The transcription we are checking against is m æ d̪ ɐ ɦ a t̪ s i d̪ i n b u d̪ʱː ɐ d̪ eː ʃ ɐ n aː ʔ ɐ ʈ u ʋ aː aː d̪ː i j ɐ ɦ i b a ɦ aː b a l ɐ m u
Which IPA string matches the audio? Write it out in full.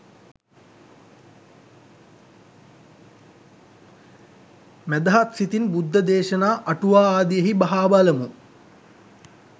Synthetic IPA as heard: m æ d̪ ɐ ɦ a t̪ s i t̪ i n b u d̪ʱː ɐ d̪ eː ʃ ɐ n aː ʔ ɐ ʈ u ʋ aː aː d̪ i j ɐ ɦ i b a ɦ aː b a l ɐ m u